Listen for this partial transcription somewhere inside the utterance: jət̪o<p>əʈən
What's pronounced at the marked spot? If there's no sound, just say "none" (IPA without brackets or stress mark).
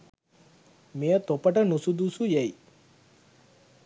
p